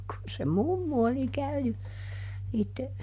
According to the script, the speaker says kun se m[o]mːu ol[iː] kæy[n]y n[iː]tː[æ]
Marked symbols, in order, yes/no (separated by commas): no, no, yes, yes, no